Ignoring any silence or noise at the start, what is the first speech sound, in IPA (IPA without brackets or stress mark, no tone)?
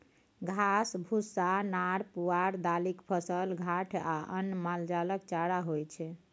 ɡʱ